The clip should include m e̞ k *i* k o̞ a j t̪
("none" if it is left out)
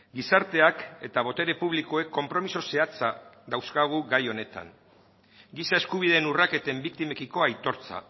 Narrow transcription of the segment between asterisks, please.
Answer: i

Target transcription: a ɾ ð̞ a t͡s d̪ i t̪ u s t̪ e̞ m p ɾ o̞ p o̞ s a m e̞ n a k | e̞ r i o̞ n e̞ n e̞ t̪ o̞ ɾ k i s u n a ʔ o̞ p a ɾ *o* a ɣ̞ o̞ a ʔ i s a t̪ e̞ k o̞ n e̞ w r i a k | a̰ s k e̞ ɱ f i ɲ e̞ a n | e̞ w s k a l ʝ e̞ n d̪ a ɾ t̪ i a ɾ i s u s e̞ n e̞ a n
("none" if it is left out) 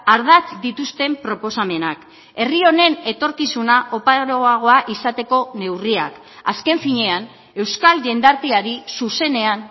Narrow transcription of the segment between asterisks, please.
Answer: o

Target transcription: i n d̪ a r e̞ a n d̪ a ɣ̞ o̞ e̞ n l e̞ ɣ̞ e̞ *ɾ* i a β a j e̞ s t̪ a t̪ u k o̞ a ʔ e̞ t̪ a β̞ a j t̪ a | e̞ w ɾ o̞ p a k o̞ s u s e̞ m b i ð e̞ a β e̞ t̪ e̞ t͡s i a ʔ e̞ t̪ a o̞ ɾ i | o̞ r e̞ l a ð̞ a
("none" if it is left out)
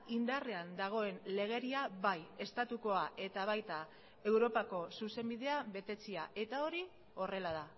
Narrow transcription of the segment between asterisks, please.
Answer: ɾ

